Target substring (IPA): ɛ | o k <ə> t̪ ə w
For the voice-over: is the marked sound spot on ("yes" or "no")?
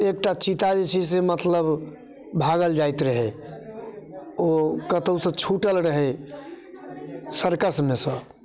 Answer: yes